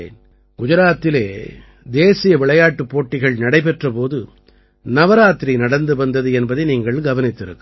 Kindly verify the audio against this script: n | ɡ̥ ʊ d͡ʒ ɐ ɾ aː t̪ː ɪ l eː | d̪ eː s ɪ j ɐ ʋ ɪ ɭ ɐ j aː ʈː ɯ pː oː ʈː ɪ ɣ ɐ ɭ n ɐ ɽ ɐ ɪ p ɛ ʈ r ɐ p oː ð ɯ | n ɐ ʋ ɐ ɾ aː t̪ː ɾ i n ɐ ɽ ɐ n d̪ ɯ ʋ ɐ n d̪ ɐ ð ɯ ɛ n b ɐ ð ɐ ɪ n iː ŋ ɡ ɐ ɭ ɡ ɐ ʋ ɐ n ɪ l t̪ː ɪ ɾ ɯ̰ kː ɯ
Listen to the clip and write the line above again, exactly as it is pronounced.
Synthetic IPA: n | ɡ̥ ʊ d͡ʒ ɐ ɾ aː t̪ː ɪ l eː | d̪ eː s ɪ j ɐ ʋ ɪ ɭ ɐ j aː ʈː ɯ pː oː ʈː ɪ ɣ ɐ ɭ n ɐ ɽ ɐ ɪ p ɛ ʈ r ɐ p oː ð ɯ | n ɐ ʋ ɐ ɾ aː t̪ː ɾ i n ɐ ɽ ɐ n d̪ ɯ ʋ ɐ n d̪ ɐ ð ɯ ɛ n b ɐ ð ɐ ɪ n iː ŋ ɡ ɐ ɭ ɡ ɐ ʋ ɐ n ɪ t̪ː ɪ ɾ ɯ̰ kː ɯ

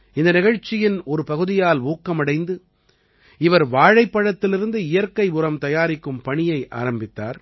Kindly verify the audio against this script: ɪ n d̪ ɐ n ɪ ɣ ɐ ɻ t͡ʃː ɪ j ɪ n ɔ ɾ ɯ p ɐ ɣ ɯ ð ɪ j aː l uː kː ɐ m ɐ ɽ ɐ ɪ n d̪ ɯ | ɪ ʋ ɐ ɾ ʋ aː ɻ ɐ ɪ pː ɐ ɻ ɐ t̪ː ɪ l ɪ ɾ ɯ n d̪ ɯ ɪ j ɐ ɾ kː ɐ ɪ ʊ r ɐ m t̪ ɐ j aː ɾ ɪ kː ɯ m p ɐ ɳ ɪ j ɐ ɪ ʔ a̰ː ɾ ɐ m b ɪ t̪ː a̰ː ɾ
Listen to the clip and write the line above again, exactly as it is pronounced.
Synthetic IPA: ɪ n d̪ ɐ n ɪ ɣ ɐ ɻ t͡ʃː ɪ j ɪ n ɔ ɾ ɯ p ɐ ɣ ɯ ð ɪ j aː l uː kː ɐ m ɐ ɽ ɐ ɪ n d̪ ɯ | ɪ ʋ ɐ ɾ ʋ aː ɻ ɐ ɪ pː ɐ ɻ ɐ t̪ː ɪ l ɪ ɾ ɯ n d̪ ɯ ɪ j ɐ ɾ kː ɐ ɪ ʊ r ɐ m t̪ ɐ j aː ɾ ɪ kː ɯ m p ɐ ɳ ɪ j ɐ ɪ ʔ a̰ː ɾ ɐ m b ɪ t̪ː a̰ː ɾ

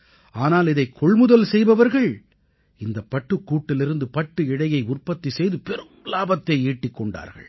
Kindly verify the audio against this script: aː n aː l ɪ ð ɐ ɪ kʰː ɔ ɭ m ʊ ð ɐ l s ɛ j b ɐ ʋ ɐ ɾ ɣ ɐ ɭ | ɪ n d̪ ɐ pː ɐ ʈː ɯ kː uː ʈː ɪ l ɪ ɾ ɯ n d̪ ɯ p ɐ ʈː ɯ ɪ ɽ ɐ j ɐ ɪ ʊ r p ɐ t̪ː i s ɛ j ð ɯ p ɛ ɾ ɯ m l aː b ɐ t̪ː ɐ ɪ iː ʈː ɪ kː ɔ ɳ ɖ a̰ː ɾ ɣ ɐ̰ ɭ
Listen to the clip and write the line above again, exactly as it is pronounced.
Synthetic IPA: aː n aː l ɪ ð ɐ ɪ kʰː ɔ ɭ m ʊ ð ɐ l s ɛ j b ɐ ʋ ɐ ɾ ɣ ɐ ɭ | ɪ n d̪ ɐ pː ɐ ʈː ɯ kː uː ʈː ɪ l ɪ ɾ ɯ n d̪ ɯ p ɐ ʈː ɯ ɪ ɽ ɐ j ɐ ɪ ʊ r p ɐ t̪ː i s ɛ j ð ɯ p ɛ ɾ ɯ m l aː b ɐ t̪ː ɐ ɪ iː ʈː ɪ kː ɔ ɳ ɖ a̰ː ɾ ɣ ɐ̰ ɭ

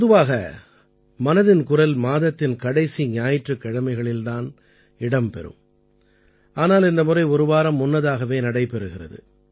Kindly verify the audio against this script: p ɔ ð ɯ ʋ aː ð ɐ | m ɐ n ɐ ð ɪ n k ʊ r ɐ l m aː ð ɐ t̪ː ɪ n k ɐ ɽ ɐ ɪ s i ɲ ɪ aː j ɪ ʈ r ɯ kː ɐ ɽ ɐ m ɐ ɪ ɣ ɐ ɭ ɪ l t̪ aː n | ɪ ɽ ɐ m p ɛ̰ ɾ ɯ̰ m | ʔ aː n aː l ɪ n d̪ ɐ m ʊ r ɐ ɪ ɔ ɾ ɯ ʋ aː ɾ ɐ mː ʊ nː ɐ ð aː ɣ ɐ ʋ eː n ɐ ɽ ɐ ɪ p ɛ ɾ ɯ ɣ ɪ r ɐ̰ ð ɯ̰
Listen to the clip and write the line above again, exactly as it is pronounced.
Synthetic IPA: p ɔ ð ɯ ʋ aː ɣ ɐ | m ɐ n ɐ ð ɪ n k ʊ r ɐ l m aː ð ɐ t̪ː ɪ n k ɐ ɽ ɐ ɪ s i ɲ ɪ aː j ɪ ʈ r ɯ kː ɐ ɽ ɐ m ɐ ɪ ɣ ɐ ɭ ɪ l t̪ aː n | ɪ ɽ ɐ m p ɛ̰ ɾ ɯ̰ m | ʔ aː n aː l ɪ n d̪ ɐ m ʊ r ɐ ɪ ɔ ɾ ɯ ʋ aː ɾ ɐ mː ʊ nː ɐ ð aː ɣ ɐ ʋ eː n ɐ ɽ ɐ ɪ p ɛ ɾ ɯ ɣ ɪ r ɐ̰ ð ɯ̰

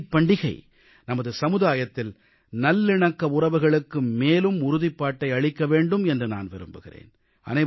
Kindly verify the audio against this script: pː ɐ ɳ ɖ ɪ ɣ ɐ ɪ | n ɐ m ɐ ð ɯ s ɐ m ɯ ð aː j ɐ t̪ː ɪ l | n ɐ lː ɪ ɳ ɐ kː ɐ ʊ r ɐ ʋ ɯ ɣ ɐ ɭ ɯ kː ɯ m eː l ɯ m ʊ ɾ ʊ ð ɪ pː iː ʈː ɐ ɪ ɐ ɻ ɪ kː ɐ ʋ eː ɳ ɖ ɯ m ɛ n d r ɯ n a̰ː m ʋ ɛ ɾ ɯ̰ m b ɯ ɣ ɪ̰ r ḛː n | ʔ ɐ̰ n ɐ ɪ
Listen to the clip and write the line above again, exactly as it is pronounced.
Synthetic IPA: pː ɐ ɳ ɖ ɪ ɣ ɐ ɪ | n ɐ m ɐ ð ɯ s ɐ m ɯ ð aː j ɐ t̪ː ɪ l | n ɐ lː ɪ ɳ ɐ kː ɐ ʊ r ɐ ʋ ɯ ɣ ɐ ɭ ɯ kː ɯ m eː l ɯ m ʊ ɾ ʊ ð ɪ pː aː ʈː ɐ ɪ ɐ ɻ ɪ kː ɐ ʋ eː ɳ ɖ ɯ m ɛ n d r ɯ n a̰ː n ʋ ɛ ɾ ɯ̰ m b ɯ ɣ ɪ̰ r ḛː n | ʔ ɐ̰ n ɐ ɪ

